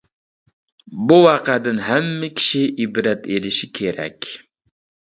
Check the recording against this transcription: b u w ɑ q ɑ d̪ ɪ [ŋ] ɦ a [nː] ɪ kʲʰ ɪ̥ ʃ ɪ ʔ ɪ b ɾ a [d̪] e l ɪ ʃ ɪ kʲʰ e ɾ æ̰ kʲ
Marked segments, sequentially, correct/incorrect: incorrect: n, incorrect: mː, incorrect: t̪

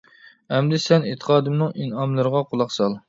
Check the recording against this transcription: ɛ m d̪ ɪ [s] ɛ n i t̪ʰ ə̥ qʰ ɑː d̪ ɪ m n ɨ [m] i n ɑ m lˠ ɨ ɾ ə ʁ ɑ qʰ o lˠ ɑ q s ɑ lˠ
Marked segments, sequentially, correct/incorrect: correct, incorrect: ŋ

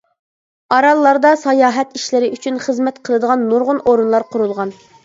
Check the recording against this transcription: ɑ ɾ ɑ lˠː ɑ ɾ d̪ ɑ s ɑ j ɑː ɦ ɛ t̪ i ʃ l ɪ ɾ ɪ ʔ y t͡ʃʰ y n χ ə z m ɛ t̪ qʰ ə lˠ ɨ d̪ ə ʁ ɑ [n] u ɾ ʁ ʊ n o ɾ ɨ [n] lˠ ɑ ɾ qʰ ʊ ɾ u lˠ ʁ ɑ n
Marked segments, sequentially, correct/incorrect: incorrect: nː, correct

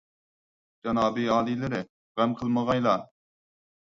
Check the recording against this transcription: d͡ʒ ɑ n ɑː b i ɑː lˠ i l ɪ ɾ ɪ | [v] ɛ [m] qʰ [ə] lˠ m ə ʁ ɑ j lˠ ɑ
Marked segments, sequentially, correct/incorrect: incorrect: ʁ, correct, correct

